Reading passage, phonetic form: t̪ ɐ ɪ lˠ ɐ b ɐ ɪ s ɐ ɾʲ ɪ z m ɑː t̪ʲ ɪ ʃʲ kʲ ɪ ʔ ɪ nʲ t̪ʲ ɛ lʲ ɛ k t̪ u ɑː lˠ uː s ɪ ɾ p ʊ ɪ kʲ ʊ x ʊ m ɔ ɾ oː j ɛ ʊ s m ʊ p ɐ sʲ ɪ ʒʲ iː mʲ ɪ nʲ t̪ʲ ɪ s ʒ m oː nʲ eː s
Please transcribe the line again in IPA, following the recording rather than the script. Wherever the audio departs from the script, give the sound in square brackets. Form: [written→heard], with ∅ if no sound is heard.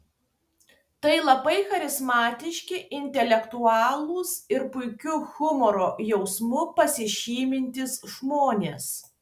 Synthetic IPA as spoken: t̪ ɐ ɪ lˠ ɐ b ɐ ɪ [s→x] ɐ ɾʲ ɪ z m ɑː t̪ʲ ɪ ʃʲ kʲ ɪ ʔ ɪ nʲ t̪ʲ ɛ lʲ ɛ k t̪ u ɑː lˠ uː s ɪ ɾ p ʊ ɪ kʲ ʊ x ʊ m ɔ ɾ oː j ɛ ʊ s m ʊ p ɐ sʲ ɪ [ʒʲ→ʃʲ] iː mʲ ɪ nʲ t̪ʲ ɪ s ʒ m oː nʲ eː s